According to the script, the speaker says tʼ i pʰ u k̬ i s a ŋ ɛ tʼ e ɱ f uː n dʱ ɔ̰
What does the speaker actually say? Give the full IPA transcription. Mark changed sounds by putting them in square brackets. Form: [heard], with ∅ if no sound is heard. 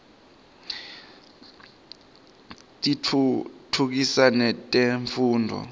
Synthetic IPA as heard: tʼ i [tʰ] u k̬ i s a [n] ɛ tʼ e ɱ f uː n dʱ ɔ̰